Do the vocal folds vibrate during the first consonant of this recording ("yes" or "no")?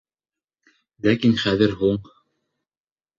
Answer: yes